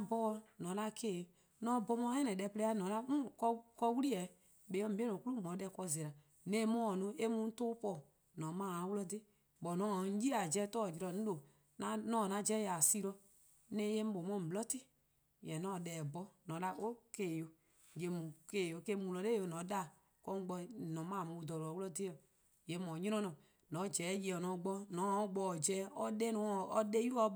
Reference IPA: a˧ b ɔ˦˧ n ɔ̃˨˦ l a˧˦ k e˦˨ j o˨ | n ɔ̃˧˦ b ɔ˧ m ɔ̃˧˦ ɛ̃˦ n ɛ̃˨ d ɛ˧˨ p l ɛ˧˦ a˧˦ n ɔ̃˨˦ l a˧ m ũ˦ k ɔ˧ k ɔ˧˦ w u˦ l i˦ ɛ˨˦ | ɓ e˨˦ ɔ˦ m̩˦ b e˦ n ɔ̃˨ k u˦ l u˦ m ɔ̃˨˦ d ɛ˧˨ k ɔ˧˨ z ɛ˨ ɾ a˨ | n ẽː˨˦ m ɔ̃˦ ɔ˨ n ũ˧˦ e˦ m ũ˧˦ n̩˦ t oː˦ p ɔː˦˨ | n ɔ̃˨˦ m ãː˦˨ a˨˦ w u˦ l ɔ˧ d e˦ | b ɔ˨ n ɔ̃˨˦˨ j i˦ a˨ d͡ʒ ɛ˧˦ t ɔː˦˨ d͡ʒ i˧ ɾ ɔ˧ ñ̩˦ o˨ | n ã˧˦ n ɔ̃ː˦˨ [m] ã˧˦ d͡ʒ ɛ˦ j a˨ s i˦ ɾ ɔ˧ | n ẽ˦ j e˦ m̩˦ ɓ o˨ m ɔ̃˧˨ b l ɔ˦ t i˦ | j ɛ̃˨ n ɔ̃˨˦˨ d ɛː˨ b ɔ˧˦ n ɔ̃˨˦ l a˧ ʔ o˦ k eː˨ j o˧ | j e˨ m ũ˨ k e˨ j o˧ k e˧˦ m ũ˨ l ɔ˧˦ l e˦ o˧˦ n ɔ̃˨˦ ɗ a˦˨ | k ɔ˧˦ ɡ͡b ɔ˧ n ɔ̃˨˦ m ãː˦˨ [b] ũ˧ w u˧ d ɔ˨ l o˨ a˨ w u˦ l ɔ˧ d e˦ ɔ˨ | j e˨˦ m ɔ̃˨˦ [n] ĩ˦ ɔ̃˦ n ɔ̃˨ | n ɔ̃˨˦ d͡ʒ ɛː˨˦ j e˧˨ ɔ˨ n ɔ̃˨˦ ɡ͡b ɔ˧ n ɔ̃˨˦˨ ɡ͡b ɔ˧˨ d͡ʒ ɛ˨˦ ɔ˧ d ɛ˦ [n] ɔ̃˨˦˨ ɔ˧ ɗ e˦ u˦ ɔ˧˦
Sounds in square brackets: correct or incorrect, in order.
incorrect: n, incorrect: m, incorrect: ɲ, correct

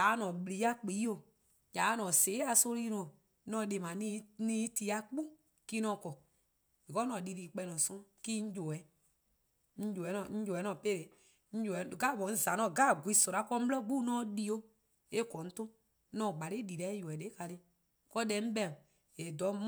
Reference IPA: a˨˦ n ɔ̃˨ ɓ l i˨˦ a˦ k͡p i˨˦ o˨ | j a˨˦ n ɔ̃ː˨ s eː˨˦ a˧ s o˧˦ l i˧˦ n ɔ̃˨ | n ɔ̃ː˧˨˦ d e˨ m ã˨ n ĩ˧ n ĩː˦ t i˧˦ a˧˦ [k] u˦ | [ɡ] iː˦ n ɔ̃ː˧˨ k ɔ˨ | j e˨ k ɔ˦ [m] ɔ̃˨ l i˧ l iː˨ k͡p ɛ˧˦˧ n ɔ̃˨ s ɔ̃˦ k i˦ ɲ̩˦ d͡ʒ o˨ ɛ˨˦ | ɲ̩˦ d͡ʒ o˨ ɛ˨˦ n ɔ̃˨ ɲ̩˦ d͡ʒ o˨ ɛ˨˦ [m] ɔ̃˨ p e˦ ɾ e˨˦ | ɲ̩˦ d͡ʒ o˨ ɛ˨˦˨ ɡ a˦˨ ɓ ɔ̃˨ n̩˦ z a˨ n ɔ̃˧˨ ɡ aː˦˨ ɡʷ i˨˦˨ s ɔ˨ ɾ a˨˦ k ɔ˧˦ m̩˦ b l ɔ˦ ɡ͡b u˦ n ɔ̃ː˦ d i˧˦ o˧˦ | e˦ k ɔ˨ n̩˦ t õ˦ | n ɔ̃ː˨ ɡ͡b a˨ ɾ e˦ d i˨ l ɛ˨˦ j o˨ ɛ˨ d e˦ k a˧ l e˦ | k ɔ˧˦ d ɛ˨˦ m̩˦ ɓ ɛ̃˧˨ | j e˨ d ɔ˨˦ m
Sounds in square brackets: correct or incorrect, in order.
incorrect: k͡p, incorrect: k, incorrect: n, incorrect: n

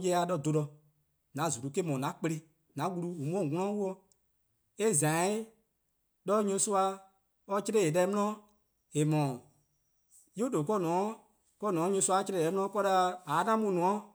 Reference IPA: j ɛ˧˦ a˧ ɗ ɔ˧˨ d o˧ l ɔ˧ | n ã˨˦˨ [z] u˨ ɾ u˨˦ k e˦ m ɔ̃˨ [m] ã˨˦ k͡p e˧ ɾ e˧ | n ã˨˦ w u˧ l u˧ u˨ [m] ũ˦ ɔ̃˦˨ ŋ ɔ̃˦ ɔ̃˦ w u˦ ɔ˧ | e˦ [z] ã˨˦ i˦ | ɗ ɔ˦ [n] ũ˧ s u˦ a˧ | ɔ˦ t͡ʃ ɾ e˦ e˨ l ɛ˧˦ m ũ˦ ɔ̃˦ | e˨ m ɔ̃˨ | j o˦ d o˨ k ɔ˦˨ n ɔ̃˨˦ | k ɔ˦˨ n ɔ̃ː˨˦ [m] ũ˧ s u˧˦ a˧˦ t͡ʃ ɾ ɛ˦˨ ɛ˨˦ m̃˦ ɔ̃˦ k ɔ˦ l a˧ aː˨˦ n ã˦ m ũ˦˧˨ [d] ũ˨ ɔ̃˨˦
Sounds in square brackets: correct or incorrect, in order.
correct, incorrect: n, correct, correct, incorrect: ɲ, incorrect: ɲ, incorrect: n

